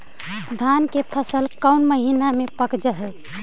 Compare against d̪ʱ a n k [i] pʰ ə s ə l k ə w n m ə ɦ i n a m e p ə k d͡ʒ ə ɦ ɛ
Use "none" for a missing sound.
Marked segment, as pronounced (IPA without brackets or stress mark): e